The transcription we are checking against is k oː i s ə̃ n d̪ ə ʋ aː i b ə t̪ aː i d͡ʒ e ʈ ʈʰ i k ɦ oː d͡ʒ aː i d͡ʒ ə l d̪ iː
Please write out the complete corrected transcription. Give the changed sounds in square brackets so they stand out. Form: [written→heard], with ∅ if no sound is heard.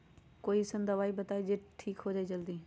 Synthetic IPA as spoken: k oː i s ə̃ n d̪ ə ʋ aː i b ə t̪ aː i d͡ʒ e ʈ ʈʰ [i→iː] k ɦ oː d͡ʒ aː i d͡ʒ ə l d̪ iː